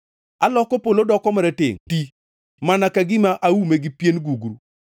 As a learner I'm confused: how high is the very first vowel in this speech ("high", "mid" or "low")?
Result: low